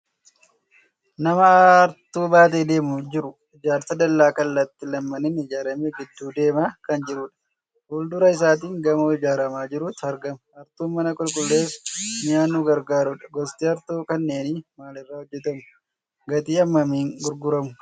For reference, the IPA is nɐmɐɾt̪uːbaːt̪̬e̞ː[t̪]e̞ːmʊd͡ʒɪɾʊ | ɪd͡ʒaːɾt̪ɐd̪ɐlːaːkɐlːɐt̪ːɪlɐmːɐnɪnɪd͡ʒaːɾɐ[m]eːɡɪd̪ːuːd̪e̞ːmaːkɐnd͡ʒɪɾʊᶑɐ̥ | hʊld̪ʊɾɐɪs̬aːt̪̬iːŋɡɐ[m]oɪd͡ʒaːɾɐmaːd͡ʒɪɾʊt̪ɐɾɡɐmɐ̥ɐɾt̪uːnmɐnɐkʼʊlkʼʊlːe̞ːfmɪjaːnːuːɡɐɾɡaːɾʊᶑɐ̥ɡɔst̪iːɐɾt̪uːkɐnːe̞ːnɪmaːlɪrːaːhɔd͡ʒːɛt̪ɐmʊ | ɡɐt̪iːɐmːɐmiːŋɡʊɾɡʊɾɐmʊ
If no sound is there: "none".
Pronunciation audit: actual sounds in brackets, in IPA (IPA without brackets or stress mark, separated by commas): d̪, m, m